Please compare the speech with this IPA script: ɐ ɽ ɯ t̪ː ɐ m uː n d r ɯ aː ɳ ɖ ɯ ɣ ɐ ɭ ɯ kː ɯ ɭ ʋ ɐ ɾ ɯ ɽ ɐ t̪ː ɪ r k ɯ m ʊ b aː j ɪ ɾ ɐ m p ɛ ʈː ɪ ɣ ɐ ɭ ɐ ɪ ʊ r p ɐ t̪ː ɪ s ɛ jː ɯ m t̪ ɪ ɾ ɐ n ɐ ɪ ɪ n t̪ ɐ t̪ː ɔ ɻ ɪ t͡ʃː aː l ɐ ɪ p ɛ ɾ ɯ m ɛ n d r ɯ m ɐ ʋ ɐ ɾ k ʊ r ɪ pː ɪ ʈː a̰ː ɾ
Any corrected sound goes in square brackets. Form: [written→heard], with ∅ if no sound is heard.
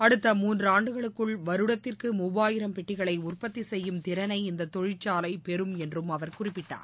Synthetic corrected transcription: ɐ ɽ ɯ t̪ː ɐ m uː n d r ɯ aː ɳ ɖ ɯ ɣ ɐ ɭ ɯ kː ɯ ɭ ʋ ɐ ɾ ɯ ɽ ɐ t̪ː ɪ r k ɯ m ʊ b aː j ɪ ɾ ɐ m p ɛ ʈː ɪ ɣ ɐ ɭ ɐ ɪ ʊ r p ɐ t̪ː [ɪ→i] s ɛ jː ɯ m t̪ ɪ ɾ ɐ n ɐ ɪ ɪ n [t̪→d̪] ɐ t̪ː ɔ ɻ ɪ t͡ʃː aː l ɐ ɪ p ɛ ɾ ɯ m ɛ n d r ɯ m ɐ ʋ ɐ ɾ k ʊ r ɪ pː ɪ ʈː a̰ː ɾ

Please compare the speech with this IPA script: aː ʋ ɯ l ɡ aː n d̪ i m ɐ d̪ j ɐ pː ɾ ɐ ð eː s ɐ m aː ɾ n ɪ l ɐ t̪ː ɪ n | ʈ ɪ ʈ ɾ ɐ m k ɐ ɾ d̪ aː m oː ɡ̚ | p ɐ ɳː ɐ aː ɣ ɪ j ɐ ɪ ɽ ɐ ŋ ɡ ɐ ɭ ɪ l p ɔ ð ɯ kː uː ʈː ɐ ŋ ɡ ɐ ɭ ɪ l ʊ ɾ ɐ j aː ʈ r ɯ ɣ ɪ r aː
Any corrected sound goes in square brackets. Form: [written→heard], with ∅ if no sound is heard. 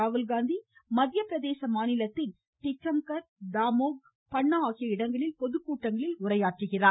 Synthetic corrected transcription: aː ʋ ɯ l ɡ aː n d̪ i m ɐ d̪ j ɐ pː ɾ ɐ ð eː s ɐ m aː [ɾ→∅] n ɪ l ɐ t̪ː ɪ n | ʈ ɪ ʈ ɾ ɐ m k ɐ ɾ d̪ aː m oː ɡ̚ | p ɐ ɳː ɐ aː ɣ ɪ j ɐ ɪ ɽ ɐ ŋ ɡ ɐ ɭ ɪ l p ɔ ð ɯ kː uː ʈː ɐ ŋ ɡ ɐ ɭ ɪ l ʊ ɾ ɐ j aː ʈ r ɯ ɣ ɪ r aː

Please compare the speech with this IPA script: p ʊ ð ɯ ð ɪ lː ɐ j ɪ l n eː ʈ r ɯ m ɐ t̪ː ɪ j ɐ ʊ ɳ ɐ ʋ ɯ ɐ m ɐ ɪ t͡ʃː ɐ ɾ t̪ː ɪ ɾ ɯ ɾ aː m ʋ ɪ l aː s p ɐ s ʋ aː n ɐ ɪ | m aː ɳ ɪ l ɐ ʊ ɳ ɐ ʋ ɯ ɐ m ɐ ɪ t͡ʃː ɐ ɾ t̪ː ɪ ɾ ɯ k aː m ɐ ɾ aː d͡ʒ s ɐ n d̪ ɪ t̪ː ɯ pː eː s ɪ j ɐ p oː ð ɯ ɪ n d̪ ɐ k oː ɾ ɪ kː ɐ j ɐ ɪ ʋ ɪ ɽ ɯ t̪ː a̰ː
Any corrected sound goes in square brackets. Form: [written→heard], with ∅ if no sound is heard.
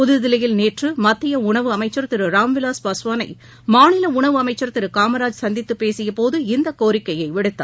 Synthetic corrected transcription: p ʊ ð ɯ ð ɪ [lː→l] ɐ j ɪ l n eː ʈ r ɯ m ɐ t̪ː ɪ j ɐ ʊ ɳ ɐ ʋ ɯ ɐ m ɐ ɪ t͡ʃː ɐ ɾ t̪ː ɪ ɾ ɯ ɾ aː m ʋ ɪ l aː s p ɐ s ʋ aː n ɐ ɪ | m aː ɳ ɪ l ɐ ʊ ɳ ɐ ʋ ɯ ɐ m ɐ ɪ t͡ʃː ɐ ɾ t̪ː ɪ ɾ ɯ k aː m ɐ ɾ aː d͡ʒ s ɐ n d̪ ɪ t̪ː ɯ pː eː s ɪ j ɐ p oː ð ɯ ɪ n d̪ ɐ k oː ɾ ɪ kː ɐ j ɐ ɪ ʋ ɪ ɽ ɯ t̪ː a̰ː

